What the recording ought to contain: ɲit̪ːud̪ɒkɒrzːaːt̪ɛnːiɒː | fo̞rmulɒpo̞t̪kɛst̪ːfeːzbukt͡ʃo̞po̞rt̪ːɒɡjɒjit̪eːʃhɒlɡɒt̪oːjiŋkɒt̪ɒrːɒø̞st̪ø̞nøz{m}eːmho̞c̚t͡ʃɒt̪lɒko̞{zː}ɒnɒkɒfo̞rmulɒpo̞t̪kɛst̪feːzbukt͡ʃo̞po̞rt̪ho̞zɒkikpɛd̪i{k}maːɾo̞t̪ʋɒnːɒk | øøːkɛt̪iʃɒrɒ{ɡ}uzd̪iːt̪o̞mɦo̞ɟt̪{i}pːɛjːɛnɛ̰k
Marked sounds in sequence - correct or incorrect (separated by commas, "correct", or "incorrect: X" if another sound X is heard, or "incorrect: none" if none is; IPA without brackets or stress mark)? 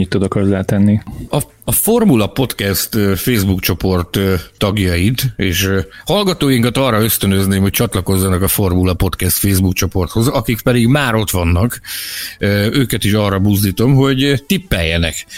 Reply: incorrect: n, correct, incorrect: ɡ, incorrect: b, correct